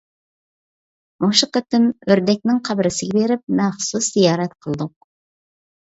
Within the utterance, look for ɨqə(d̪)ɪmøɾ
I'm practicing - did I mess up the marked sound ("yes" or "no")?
yes